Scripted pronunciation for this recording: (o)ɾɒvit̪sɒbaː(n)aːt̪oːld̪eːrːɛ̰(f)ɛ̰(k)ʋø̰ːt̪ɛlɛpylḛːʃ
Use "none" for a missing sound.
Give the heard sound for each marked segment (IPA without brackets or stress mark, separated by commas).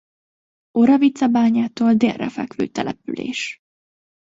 o, ɲ, f, k